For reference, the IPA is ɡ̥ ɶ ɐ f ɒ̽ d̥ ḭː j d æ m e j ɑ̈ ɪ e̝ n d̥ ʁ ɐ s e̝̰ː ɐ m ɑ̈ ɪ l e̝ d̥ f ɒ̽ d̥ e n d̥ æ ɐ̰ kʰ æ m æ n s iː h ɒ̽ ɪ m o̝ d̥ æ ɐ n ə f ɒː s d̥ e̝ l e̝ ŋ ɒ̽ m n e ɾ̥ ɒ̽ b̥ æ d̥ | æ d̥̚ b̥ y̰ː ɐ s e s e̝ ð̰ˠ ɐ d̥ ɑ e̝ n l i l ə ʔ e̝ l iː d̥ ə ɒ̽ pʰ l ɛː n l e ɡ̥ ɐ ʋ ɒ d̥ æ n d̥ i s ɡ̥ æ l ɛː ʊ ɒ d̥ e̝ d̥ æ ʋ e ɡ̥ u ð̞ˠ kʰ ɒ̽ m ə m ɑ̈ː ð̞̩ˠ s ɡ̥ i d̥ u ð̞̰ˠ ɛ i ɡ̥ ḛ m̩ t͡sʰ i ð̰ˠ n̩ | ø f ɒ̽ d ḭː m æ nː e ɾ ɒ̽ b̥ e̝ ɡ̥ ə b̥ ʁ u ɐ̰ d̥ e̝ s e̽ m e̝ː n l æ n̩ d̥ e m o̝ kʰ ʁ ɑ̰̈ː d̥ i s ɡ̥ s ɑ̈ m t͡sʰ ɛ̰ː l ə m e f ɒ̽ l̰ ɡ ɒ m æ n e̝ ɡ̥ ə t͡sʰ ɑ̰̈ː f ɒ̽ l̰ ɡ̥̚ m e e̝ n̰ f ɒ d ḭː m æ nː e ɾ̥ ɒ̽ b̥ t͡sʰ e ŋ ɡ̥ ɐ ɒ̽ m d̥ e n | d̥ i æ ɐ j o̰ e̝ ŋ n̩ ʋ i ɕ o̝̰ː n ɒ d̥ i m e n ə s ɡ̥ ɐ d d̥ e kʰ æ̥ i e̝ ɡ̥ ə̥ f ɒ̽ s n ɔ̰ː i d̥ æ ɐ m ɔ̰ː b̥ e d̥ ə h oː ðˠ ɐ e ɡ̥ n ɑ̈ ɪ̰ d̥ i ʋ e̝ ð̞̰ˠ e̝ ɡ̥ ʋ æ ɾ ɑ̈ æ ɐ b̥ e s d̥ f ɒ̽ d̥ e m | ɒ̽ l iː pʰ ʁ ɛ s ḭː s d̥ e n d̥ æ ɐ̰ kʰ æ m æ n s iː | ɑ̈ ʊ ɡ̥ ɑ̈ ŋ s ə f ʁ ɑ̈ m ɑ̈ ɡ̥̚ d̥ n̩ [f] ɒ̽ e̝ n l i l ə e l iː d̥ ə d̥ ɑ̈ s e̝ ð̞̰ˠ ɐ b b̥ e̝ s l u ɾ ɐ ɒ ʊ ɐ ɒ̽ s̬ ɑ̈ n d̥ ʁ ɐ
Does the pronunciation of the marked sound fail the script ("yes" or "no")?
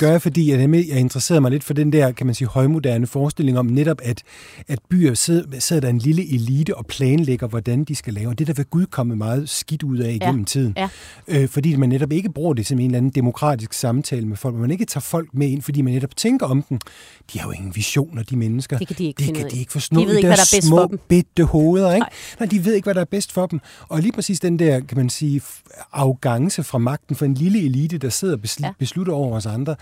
no